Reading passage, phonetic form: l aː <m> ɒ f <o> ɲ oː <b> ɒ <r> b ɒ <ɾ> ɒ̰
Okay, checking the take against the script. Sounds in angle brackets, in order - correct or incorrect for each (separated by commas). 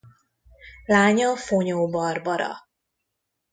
incorrect, correct, correct, correct, correct